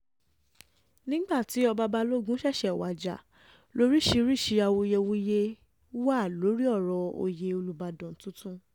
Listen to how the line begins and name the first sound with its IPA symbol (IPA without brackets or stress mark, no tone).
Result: n